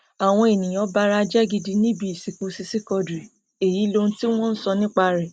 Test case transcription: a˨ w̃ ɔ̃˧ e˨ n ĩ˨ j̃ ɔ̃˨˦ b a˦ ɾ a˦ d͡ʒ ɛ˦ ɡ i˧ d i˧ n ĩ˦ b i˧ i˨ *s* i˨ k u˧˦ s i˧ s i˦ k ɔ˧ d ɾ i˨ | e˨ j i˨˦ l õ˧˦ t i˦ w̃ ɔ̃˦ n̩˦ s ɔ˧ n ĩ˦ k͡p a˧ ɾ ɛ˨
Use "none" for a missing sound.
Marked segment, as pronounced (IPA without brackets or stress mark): s